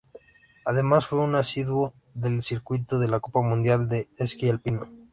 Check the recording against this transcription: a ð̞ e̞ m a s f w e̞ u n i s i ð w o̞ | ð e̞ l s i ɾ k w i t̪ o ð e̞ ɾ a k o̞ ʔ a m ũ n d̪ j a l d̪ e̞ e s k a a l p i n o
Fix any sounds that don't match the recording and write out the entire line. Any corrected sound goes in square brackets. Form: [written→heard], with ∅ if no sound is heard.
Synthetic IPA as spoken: a ð̞ e̞ m a s f w e̞ u n [i→a] s i ð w o̞ | ð e̞ l s i ɾ k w i t̪ o ð e̞ [ɾ→l] a k o̞ [ʔ→p] a m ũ n d̪ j a l d̪ e̞ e s k [a→i] a l p i n o